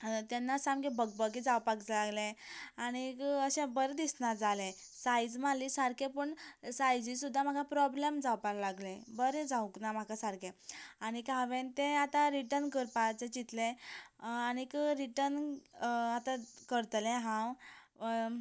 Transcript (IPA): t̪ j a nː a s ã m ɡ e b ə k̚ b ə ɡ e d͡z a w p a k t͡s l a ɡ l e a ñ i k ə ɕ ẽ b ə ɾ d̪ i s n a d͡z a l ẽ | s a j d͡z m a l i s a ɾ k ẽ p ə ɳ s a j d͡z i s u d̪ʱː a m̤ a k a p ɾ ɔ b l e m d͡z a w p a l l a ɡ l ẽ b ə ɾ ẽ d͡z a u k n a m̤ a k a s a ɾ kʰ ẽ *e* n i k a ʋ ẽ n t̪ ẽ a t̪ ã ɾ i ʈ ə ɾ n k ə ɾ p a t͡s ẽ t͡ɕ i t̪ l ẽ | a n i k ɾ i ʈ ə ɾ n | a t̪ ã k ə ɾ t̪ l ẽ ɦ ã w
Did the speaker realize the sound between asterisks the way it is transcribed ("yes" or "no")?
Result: no